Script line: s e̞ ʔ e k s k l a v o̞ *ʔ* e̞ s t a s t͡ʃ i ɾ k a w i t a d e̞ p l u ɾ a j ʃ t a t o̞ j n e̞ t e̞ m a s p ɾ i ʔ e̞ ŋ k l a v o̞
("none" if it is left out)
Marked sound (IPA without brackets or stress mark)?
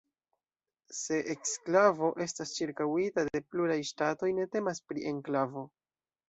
ʔ